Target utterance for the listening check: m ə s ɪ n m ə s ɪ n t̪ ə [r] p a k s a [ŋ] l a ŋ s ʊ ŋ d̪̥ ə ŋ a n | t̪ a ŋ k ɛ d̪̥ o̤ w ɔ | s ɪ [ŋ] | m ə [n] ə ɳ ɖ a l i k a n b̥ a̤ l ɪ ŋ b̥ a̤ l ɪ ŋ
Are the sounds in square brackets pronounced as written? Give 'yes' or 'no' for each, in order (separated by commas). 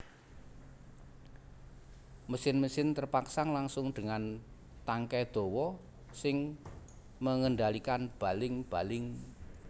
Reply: yes, yes, yes, no